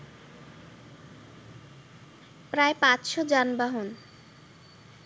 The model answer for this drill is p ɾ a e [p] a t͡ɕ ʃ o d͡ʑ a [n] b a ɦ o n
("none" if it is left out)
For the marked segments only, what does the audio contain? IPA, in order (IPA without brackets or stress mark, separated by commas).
p, n